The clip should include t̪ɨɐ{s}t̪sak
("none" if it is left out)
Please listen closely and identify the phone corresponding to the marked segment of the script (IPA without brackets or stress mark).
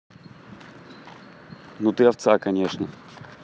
f